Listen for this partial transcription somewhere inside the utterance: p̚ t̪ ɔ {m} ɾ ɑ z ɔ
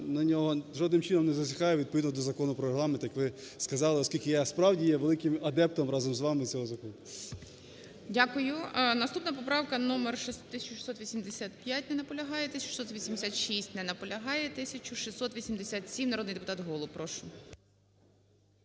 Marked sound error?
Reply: no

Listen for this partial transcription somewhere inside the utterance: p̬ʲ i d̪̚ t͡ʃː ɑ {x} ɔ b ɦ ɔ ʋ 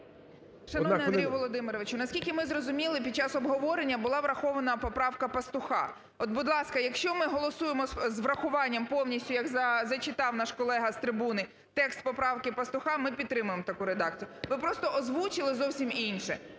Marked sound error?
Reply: yes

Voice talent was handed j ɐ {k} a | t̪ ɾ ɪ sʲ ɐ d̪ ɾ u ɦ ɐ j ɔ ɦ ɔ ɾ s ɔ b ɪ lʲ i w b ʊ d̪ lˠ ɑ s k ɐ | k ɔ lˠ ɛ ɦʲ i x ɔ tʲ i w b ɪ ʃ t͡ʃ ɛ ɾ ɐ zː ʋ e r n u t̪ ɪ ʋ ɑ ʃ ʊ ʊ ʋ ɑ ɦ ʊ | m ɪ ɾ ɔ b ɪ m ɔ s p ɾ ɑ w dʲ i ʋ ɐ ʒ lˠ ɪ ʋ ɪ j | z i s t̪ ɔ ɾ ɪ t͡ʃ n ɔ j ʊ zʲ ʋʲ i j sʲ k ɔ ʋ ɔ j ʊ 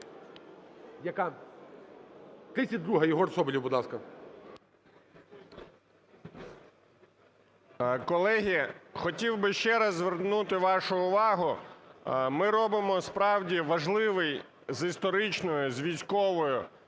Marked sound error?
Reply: no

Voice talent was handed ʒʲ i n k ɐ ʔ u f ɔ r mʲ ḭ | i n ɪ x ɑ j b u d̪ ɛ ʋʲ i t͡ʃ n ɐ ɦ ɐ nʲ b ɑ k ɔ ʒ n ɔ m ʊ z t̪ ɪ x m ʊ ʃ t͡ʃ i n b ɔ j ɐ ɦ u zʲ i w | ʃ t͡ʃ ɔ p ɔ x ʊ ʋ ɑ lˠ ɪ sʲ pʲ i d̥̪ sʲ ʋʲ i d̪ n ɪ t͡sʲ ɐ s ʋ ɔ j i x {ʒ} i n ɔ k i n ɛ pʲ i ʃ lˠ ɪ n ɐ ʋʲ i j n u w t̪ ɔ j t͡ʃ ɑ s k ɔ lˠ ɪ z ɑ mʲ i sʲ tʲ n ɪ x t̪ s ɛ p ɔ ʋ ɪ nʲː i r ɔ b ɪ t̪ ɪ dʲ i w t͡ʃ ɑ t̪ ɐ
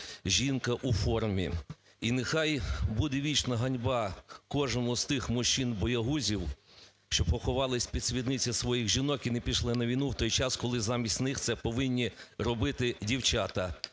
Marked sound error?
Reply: no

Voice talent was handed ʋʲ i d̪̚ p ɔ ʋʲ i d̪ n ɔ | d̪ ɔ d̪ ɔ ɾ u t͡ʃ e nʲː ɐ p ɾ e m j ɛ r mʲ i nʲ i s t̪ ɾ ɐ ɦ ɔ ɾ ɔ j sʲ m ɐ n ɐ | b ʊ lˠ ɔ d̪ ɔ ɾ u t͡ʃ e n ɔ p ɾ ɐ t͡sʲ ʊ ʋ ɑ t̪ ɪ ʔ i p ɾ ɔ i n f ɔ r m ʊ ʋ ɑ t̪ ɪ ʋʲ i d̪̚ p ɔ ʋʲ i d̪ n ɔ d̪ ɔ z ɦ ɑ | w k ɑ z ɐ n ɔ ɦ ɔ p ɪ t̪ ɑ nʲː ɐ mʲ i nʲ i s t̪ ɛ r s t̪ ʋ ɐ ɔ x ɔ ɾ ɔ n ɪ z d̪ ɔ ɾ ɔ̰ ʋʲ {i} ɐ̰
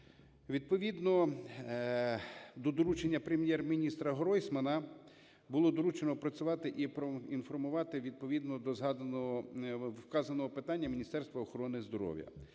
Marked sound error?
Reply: yes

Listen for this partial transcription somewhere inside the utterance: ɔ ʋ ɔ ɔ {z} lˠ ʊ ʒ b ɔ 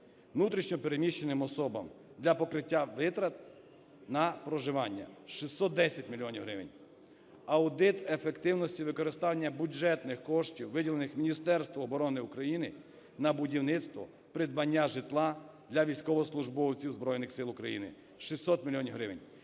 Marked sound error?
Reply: yes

